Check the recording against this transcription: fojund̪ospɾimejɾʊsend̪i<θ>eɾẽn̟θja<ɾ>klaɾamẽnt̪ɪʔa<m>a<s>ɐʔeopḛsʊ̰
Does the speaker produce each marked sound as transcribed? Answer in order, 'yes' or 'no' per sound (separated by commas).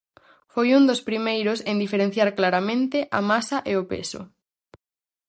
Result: no, yes, yes, yes